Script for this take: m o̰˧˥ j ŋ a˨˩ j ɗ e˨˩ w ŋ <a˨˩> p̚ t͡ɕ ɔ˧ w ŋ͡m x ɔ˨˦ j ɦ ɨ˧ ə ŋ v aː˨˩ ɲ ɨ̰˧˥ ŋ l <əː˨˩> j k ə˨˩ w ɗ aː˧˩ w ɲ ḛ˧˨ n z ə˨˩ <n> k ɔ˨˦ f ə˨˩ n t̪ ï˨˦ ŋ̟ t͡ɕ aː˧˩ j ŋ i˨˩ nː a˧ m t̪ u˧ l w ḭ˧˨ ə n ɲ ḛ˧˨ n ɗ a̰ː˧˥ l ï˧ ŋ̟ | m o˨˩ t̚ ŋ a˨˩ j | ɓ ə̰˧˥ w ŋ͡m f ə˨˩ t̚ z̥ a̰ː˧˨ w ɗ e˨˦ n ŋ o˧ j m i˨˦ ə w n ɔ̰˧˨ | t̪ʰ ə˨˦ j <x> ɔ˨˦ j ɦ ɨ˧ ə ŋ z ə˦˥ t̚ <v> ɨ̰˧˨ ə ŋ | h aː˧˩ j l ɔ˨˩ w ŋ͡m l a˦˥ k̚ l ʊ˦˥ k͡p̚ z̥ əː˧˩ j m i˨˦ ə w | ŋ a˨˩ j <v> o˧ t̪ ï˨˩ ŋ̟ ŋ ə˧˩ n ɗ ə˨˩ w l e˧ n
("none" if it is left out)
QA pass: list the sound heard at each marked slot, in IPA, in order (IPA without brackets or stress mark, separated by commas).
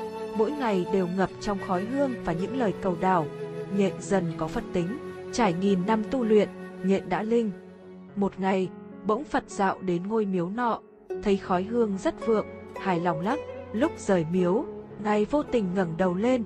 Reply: ə˨˩, əː˨˩, n, x, v, v